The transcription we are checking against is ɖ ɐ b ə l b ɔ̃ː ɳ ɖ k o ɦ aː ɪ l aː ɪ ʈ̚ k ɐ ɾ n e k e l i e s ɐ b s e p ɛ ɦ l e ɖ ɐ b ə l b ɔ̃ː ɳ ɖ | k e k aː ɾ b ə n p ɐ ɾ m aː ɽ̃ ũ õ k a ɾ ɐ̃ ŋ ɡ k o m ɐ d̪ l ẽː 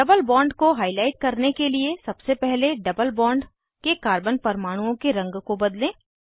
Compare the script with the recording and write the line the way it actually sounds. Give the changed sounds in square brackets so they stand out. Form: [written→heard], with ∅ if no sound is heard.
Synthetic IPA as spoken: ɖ ɐ b ə l b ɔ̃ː ɳ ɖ k o ɦ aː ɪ l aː ɪ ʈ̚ k ɐ ɾ n e k e l i e s ɐ b s e p ɛ ɦ l e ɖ ɐ b ə l b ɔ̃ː ɳ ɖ | k e k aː ɾ b ə n p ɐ ɾ m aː ɽ̃ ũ õ k [a→e] ɾ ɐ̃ ŋ ɡ k o [m→b] ɐ d̪ l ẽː